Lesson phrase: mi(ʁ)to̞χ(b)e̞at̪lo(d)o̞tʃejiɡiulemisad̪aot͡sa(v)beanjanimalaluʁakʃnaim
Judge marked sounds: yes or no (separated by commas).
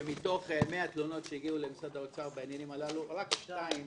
no, no, no, no